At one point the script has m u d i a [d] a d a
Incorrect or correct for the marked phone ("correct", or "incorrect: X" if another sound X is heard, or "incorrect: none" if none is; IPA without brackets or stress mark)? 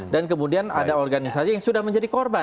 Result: incorrect: n